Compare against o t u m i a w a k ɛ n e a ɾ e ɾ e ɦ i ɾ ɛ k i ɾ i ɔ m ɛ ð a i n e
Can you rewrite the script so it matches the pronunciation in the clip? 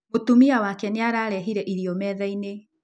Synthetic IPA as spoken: o t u m i a w a k ɛ n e a ɾ a ɾ ɛ ɦ i ɾ ɛ ʔ i ɾ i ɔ m ɛ ð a i n e